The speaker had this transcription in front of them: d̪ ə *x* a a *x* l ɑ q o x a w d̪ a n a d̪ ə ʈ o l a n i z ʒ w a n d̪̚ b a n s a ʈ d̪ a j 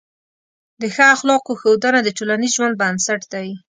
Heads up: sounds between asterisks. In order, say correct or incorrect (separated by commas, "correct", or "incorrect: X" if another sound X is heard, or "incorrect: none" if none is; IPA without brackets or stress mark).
correct, correct